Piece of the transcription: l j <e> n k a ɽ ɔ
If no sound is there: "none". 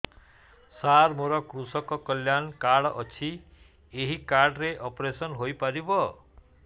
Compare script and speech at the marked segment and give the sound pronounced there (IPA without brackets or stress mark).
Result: a